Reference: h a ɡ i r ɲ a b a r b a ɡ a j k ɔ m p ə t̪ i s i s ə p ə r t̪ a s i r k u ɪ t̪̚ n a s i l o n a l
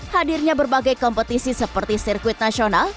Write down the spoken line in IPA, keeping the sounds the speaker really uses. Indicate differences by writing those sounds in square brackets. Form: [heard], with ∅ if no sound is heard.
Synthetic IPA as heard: h a [d] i r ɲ a b [ə] r b a ɡ a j k ɔ m p ə t̪ i s i s ə p ə r t̪ [i] s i r k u ɪ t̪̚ n a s i [∅] o n a l